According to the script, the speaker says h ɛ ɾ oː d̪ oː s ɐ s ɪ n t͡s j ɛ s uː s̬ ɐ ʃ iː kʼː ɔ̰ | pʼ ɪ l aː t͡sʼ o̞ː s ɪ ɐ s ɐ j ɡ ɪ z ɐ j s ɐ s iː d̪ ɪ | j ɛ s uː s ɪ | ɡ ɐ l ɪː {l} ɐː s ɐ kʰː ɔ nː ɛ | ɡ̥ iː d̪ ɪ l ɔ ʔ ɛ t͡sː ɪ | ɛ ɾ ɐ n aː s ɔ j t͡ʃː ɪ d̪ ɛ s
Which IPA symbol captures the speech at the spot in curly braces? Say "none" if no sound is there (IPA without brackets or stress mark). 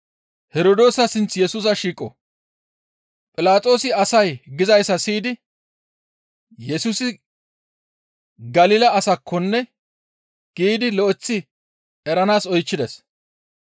l